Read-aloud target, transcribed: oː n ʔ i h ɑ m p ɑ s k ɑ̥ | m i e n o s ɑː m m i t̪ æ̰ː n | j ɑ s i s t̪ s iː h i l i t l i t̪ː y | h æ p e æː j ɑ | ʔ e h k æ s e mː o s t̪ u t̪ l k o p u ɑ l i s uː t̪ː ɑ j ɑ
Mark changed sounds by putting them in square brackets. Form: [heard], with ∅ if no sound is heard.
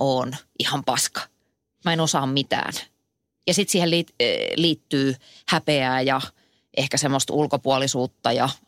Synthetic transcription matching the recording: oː n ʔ i h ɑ m p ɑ s k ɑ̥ | m [æ] e n o s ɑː m m i t̪ æ̰ː n | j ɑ s i [∅] t̪ s iː h [e] l i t l [iː] t̪ː [yː] | h æ p e æː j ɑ | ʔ e h k æ s e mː o s t̪ u [∅] l k o p u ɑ l i s uː t̪ː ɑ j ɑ